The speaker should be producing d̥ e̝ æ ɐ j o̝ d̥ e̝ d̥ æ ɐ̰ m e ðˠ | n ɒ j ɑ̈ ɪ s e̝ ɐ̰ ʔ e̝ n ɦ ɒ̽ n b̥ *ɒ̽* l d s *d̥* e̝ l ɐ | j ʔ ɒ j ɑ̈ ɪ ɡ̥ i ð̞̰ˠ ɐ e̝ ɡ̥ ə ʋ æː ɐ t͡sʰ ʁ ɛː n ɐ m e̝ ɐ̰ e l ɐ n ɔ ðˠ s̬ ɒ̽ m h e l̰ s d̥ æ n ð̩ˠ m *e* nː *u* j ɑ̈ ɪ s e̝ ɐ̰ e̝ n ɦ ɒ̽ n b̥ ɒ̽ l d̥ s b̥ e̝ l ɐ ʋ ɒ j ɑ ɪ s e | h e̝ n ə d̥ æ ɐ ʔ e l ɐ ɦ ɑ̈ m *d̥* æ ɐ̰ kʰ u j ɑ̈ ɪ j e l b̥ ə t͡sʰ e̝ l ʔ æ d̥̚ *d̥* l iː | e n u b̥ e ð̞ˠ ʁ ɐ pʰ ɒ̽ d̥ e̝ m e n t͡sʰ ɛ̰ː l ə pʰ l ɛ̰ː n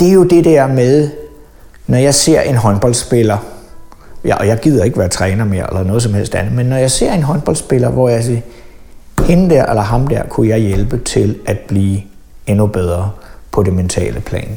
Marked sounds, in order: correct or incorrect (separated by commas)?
correct, incorrect, correct, incorrect, correct, incorrect